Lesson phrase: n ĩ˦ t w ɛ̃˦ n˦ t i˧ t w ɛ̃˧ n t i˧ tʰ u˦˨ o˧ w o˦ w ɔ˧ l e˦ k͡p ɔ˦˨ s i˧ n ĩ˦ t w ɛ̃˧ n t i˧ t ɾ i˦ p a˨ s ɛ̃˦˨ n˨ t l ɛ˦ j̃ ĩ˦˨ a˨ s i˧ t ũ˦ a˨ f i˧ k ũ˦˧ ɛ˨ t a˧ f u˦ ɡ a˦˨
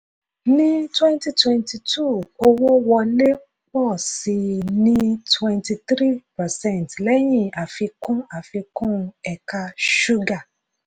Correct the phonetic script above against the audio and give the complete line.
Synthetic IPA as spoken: n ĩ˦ t w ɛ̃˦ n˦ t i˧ t w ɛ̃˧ n t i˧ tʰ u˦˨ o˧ w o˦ w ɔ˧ l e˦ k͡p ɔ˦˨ s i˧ n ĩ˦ t w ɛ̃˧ n t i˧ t ɾ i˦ p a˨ s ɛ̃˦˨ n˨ t l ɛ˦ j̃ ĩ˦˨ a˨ f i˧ k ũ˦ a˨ f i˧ k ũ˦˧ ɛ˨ k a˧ ʃ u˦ ɡ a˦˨

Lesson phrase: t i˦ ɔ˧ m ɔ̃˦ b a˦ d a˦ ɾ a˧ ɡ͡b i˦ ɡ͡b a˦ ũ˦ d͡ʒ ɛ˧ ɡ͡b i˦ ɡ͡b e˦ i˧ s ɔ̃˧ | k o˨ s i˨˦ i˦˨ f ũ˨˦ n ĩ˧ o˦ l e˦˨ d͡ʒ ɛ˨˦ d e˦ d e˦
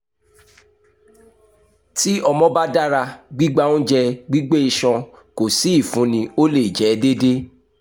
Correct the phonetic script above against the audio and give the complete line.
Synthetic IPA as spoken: t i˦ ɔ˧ m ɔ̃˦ b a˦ d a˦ ɾ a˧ ɡ͡b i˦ ɡ͡b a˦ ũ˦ d͡ʒ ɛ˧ ɡ͡b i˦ ɡ͡b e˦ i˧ ʃ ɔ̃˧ | k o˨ s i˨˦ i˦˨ f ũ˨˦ n ĩ˧ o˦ l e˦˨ d͡ʒ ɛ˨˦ d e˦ d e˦

